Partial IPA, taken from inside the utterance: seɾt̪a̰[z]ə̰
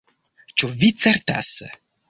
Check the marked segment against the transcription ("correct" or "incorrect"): incorrect